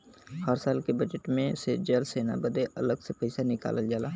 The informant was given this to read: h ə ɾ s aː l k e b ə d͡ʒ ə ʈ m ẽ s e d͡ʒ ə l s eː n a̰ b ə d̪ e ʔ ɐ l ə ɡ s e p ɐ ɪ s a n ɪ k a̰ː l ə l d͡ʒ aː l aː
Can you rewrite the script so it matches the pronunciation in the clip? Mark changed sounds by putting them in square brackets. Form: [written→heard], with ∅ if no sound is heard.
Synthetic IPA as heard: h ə ɾ s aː l k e b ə d͡ʒ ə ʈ m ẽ s e d͡ʒ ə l s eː n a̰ b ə d̪ e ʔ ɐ l ə ɡ s e p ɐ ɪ s a n ɪ k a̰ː l ə l d͡ʒ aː l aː

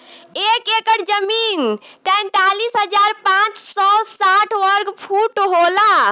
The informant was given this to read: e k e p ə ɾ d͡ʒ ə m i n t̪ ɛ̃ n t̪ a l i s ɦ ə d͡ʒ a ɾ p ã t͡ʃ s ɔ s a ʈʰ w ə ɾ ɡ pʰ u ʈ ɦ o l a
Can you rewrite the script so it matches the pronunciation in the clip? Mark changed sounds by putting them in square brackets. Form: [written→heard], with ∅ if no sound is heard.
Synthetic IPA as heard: e k e [p→k] ə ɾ d͡ʒ ə m i n t̪ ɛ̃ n t̪ a l i s ɦ ə d͡ʒ a ɾ p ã t͡ʃ s ɔ s a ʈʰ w ə ɾ ɡ pʰ u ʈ ɦ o l a

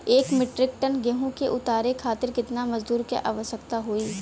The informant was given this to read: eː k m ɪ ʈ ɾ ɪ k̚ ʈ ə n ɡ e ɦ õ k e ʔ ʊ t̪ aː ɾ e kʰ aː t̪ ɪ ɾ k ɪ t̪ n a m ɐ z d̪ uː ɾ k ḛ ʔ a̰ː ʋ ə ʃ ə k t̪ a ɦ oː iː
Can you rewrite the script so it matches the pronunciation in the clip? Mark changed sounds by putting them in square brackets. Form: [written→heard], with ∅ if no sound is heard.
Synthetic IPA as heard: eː k m ɪ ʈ ɾ ɪ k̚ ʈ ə n ɡ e ɦ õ k e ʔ ʊ t̪ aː ɾ e kʰ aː t̪ ɪ ɾ k ɪ t̪ n a m ɐ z d̪ uː ɾ k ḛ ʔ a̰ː ʋ ə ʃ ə k t̪ a ɦ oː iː

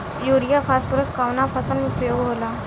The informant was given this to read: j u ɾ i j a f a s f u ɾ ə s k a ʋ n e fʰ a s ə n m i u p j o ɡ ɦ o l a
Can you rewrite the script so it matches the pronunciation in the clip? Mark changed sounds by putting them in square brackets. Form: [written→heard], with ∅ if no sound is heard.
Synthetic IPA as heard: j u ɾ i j a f a s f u ɾ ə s k a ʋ n [e→a] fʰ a s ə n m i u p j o ɡ ɦ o l a

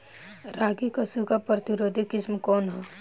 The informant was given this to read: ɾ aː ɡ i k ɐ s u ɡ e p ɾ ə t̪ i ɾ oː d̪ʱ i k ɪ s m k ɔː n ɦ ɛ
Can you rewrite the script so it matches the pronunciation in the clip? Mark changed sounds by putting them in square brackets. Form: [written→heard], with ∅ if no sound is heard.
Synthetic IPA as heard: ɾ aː ɡ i k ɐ s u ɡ [e→a] p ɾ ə t̪ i ɾ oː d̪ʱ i k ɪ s m k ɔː n ɦ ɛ

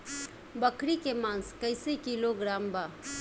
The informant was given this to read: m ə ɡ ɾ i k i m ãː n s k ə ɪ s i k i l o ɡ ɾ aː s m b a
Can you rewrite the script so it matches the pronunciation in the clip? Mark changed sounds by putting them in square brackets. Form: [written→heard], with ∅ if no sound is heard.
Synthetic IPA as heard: [m→b] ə [ɡ→k] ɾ i k [i→e] m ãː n s k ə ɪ s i k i l o ɡ ɾ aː [s→∅] m b a

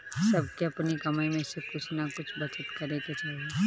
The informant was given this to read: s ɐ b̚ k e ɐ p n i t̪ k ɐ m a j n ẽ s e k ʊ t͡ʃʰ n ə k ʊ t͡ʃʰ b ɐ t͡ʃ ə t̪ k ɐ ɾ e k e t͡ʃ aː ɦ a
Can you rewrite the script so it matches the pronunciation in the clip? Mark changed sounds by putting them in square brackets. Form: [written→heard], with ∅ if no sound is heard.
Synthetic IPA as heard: s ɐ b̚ k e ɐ p n i [t̪→∅] k ɐ m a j [n→m] ẽ s e k ʊ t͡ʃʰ n [ə→a] k ʊ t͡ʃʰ b ɐ t͡ʃ ə t̪ k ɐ ɾ e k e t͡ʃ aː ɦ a

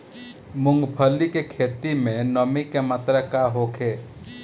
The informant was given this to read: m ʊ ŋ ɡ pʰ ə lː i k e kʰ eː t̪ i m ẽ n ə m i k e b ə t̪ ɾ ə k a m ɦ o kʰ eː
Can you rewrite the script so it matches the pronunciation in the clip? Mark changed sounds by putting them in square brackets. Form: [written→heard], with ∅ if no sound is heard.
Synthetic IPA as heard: m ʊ ŋ ɡ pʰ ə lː i k e kʰ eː t̪ i m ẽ n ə m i k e [b→m] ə t̪ ɾ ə k a [m→∅] ɦ o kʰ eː

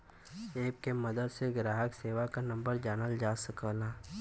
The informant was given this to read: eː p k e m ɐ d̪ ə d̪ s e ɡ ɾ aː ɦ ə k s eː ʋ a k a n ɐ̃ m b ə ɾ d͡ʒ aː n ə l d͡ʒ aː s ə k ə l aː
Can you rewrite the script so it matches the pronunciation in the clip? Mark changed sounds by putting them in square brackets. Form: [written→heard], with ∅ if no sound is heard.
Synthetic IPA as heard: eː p k e m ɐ d̪ ə d̪ s e ɡ ɾ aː ɦ ə k s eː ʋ a k a n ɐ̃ m b ə ɾ d͡ʒ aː n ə l d͡ʒ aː s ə k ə l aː

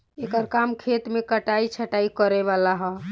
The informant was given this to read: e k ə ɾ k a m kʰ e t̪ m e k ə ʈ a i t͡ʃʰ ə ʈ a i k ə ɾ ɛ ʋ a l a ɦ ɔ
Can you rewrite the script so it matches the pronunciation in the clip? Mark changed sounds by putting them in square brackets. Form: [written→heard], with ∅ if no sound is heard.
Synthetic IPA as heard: e k ə ɾ k a m kʰ e t̪ m e k ə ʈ a i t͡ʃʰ ə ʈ a i k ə ɾ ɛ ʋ a l a ɦ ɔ

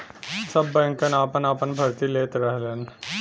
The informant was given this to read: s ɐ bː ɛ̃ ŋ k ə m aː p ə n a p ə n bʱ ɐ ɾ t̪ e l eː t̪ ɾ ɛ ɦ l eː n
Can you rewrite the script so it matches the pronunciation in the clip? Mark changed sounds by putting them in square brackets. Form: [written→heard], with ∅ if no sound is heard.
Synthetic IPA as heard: s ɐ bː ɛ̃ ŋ k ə [m→n] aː p ə n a p ə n bʱ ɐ ɾ t̪ [e→i] l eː t̪ ɾ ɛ ɦ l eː n

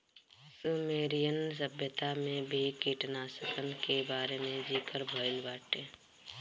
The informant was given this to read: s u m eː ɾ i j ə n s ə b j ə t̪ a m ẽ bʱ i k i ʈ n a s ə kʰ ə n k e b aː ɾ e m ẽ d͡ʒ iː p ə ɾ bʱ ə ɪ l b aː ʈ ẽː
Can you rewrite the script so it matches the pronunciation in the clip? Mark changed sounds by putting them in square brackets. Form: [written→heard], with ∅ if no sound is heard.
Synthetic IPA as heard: s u m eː ɾ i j ə n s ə b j ə t̪ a m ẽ bʱ i k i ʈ n a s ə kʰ ə n k e b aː ɾ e m ẽ d͡ʒ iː [p→k] ə ɾ bʱ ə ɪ l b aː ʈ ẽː

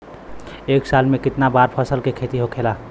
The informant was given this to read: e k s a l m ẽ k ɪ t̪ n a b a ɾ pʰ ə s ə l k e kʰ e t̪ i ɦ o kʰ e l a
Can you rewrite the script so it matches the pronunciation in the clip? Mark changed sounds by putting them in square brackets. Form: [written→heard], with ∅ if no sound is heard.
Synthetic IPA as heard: e k s a l m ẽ k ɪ t̪ n a b a ɾ pʰ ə s ə l k e kʰ e t̪ i ɦ o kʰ e l a

